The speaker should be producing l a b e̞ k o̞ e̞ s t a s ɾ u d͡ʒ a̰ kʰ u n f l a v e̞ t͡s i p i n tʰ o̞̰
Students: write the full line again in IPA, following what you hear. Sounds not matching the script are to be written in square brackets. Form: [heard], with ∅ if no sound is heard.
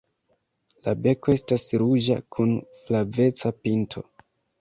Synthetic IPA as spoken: l a b e̞ k o̞ e̞ s t a s ɾ u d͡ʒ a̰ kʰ u n f l a v e̞ t͡s [a] p i n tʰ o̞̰